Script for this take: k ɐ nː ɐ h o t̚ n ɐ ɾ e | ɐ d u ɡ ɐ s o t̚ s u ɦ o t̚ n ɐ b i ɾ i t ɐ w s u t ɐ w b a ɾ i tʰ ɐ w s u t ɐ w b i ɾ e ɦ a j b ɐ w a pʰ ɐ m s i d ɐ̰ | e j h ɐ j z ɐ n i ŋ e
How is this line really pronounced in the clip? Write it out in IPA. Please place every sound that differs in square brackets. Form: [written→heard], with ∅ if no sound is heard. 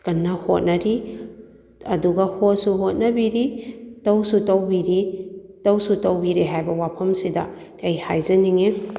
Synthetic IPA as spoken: k ɐ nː ɐ h o t̚ n ɐ ɾ [e→i] | ɐ d u ɡ ɐ [s→h] o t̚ s u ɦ o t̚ n ɐ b i ɾ i t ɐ w s u t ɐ w b [a→i] ɾ i [tʰ→t] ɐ w s u t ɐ w b i ɾ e ɦ a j b ɐ w a pʰ ɐ m s i d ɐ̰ | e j h [ɐ→a] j z ɐ n i ŋ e